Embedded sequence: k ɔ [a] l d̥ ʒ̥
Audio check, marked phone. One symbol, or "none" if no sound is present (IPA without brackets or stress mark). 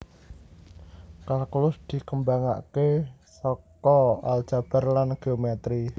a